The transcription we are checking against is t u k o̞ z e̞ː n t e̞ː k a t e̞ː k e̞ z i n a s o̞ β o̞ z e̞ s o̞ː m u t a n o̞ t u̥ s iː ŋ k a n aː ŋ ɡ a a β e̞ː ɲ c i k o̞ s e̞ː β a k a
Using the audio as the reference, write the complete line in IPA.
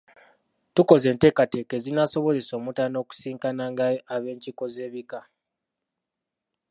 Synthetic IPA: t u k o̞ z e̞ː n t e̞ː k a t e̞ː k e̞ z i n a s o̞ β o̞ z e̞ s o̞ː m u t a n o̞ k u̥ s iː ŋ k a n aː ŋ ɡ a a β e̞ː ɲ c i k o̞ z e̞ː β i k a